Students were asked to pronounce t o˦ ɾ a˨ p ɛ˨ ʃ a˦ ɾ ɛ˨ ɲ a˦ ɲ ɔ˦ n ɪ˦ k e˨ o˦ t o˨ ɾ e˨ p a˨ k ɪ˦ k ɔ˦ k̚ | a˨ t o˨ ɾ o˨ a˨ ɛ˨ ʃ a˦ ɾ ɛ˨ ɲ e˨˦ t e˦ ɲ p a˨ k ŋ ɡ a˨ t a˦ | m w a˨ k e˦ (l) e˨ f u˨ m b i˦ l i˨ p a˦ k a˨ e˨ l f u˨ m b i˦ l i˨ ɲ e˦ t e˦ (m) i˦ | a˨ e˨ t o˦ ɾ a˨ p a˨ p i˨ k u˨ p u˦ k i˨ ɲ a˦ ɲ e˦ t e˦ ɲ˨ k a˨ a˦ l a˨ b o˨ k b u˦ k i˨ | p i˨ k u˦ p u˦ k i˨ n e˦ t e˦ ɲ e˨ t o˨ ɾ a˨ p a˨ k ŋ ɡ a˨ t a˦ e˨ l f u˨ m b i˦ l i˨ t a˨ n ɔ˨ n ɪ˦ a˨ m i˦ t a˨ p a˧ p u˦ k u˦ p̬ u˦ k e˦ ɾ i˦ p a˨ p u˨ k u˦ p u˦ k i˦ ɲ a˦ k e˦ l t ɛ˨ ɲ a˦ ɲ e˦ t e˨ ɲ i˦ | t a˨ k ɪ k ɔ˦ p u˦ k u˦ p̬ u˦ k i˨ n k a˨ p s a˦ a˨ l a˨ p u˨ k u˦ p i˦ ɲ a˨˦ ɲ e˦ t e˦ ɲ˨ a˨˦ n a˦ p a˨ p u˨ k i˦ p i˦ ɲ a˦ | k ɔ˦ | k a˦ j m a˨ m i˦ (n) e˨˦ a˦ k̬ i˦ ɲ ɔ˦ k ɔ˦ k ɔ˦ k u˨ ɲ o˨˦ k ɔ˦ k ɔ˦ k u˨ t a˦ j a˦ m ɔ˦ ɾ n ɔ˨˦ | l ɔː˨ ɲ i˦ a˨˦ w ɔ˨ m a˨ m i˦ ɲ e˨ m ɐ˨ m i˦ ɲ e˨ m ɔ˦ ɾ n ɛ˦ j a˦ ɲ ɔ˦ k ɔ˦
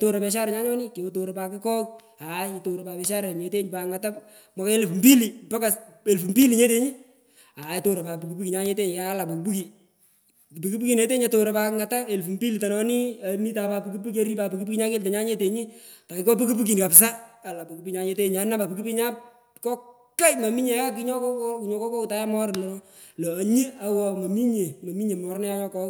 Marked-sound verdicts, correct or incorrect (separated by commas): correct, incorrect, incorrect